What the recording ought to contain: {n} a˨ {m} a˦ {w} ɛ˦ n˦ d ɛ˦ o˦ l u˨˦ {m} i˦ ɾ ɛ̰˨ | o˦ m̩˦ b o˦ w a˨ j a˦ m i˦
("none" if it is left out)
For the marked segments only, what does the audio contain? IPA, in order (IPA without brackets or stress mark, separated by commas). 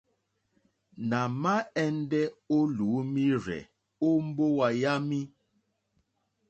n, m, none, m